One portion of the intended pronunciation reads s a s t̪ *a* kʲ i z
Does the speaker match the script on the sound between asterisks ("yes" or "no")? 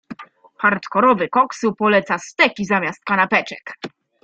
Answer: no